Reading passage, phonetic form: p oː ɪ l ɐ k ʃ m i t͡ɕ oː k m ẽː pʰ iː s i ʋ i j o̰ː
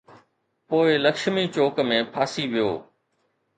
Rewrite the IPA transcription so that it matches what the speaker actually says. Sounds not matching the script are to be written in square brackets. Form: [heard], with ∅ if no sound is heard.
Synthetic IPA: p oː ɪ l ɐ k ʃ m i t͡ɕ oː k m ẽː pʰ [aː] s i ʋ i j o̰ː